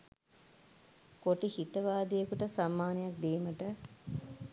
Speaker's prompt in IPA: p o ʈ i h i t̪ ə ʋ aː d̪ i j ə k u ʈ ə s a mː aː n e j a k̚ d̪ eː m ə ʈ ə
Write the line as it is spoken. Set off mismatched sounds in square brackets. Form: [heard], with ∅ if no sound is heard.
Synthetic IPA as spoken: [k] o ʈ i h i t̪ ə ʋ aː d̪ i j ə k u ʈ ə s a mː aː n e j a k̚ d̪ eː m ə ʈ ə